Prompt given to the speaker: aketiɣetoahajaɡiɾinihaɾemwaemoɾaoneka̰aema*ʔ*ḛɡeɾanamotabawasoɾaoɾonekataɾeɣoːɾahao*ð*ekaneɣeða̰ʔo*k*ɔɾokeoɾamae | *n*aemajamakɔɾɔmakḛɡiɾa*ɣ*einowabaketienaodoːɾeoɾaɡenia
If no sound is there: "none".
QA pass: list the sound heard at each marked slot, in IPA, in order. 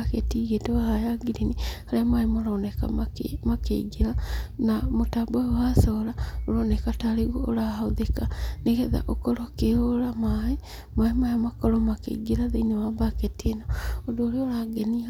k, ð, k, m, ð

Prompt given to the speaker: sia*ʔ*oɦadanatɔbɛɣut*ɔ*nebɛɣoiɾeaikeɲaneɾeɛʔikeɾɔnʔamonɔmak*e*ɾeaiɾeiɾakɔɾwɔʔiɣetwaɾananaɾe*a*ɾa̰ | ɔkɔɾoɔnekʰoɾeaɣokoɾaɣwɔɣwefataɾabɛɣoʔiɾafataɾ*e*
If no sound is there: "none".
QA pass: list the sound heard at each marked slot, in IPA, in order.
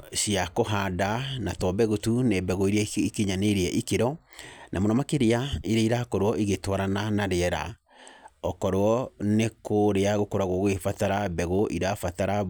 k, u, e, ɛ, a

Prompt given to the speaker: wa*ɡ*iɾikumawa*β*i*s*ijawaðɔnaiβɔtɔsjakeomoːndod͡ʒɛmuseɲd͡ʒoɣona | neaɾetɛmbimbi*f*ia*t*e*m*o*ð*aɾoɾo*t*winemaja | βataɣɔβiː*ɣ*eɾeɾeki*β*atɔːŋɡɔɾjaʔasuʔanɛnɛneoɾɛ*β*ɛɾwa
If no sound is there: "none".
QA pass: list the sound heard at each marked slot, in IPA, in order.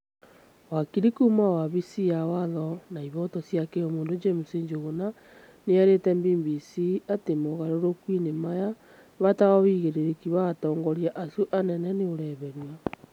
k, β, s, s, t, m, ɣ, k, ɣ, β, β

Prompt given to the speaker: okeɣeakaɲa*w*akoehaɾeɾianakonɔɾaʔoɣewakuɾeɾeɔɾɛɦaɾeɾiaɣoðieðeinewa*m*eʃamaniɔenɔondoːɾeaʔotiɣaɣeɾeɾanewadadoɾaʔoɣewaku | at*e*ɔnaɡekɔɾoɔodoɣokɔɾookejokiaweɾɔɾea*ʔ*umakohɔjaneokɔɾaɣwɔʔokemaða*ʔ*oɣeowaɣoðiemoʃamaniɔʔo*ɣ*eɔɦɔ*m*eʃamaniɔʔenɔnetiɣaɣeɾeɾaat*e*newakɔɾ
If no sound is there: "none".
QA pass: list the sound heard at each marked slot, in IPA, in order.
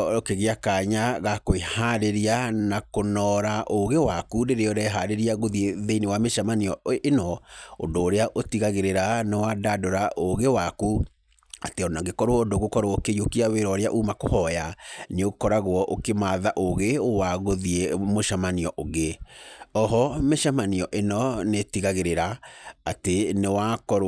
ɣ, m, e, ʔ, ʔ, ɣ, m, e

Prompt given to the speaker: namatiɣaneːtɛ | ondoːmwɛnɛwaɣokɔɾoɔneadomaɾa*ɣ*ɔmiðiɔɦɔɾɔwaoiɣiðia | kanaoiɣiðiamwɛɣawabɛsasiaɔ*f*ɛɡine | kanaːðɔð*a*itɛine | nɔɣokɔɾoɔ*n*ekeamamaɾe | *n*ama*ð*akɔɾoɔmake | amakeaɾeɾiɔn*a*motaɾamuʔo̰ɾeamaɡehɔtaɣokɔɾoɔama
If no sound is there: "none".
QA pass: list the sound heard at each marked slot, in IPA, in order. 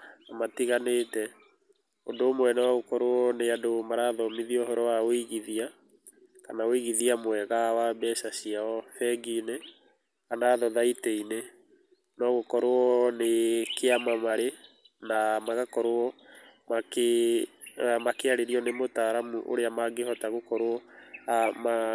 ð, f, a, n, n, ɣ, e

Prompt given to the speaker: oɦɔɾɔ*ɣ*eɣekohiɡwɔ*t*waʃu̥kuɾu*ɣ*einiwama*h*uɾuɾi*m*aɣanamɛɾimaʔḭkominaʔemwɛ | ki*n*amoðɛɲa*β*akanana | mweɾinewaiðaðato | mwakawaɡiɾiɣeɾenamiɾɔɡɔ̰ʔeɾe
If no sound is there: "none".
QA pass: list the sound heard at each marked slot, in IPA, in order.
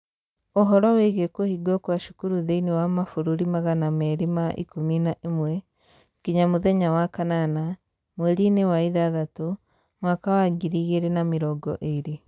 w, k, ð, f, m, ɲ, w

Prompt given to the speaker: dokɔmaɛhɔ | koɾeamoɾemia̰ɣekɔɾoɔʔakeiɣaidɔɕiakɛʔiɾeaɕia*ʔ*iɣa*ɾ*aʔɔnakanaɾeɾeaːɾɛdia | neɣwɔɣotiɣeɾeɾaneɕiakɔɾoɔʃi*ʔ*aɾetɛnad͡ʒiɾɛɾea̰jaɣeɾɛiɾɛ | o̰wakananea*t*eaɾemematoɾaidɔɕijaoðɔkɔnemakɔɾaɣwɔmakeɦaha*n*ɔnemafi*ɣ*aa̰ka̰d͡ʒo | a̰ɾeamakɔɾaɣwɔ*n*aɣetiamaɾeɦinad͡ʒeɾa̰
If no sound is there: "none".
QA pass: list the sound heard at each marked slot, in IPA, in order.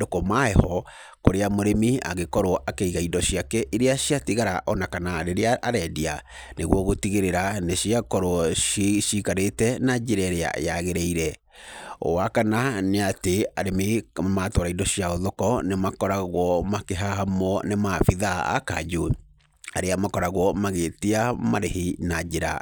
t, ɾ, k, t, m, ð, m

